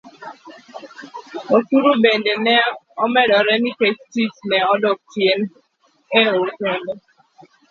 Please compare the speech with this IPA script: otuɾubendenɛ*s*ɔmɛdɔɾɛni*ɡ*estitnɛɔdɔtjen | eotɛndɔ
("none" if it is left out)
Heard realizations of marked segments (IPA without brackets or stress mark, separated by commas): none, k